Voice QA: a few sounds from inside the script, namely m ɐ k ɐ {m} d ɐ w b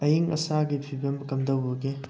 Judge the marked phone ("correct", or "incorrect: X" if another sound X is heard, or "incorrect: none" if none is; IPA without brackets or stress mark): correct